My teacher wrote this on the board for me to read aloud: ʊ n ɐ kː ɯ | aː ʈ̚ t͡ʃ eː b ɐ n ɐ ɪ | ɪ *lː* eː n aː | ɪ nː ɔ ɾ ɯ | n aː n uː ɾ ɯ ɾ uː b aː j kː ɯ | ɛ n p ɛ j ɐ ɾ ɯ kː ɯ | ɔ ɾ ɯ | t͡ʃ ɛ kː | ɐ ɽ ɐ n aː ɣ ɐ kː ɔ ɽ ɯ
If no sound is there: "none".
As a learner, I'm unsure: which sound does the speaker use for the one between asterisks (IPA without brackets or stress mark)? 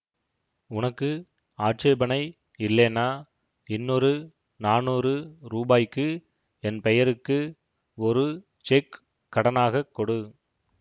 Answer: lː